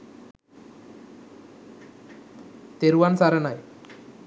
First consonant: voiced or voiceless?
voiceless